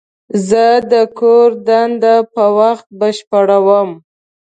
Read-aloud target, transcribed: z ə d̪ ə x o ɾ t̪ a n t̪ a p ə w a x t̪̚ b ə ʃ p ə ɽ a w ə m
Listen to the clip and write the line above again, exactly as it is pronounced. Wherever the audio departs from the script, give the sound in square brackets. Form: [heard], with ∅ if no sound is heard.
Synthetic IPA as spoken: z ə d̪ ə [k] o ɾ [d̪] a n [d̪] a p ə w a x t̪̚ b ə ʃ p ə ɽ a w ə m